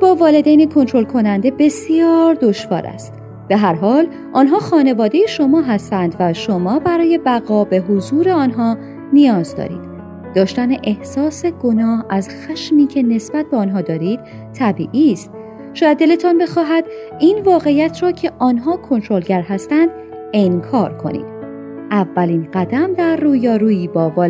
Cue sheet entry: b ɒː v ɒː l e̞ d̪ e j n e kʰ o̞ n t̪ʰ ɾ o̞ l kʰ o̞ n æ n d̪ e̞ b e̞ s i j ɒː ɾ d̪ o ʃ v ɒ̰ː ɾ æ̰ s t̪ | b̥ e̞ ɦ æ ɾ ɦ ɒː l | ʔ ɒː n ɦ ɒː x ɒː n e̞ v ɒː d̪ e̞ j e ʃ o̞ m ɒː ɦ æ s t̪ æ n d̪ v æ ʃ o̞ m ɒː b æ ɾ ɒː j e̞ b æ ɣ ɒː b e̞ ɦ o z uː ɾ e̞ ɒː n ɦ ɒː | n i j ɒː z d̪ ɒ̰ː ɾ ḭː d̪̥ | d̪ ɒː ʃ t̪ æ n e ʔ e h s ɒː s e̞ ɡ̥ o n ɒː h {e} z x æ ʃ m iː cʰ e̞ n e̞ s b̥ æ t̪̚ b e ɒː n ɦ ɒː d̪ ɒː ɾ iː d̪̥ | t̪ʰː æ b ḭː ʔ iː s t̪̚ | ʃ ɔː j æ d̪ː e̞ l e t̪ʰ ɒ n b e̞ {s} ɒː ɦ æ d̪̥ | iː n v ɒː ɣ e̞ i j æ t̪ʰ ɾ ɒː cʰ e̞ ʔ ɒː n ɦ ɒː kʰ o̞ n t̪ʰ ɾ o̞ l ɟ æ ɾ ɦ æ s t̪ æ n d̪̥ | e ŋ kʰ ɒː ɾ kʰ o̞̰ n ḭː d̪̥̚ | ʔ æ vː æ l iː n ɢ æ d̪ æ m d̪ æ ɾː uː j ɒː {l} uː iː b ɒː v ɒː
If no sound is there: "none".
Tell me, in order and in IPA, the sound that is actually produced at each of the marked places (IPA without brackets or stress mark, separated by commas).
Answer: æ, x, ɾ